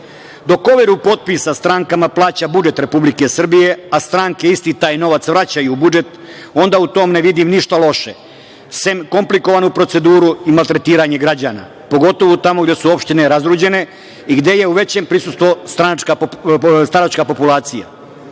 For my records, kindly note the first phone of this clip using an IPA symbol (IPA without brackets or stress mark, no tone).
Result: d̪